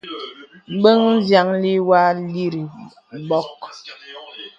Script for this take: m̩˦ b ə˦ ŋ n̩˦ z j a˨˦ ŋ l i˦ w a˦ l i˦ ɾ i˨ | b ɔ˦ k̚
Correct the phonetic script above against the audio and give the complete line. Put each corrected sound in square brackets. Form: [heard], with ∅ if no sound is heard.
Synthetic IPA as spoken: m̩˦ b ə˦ ŋ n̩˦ z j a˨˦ ŋ l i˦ w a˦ l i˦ ɾ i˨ | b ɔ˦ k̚